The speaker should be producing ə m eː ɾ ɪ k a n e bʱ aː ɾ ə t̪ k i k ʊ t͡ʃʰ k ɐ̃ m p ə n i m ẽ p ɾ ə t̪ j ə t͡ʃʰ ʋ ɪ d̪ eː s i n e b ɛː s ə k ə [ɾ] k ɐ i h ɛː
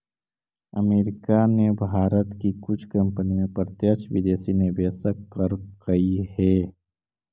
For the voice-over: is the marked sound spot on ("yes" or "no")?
yes